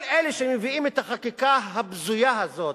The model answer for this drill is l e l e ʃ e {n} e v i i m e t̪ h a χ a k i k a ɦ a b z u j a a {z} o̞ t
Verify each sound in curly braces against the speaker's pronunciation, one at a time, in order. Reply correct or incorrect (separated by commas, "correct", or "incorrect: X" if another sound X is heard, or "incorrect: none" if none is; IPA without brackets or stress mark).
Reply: incorrect: m, correct